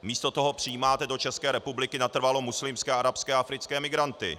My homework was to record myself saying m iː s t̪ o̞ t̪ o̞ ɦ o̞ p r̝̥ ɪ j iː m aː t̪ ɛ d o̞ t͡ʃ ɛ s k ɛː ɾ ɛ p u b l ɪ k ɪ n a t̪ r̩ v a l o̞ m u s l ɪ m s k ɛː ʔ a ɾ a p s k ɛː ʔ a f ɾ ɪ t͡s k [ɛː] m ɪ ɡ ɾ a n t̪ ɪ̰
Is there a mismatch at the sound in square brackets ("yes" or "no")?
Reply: no